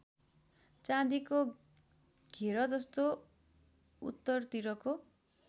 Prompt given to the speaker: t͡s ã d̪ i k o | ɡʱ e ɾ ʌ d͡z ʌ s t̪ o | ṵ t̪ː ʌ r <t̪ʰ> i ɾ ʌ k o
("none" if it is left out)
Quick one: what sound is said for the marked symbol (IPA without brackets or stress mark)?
t̪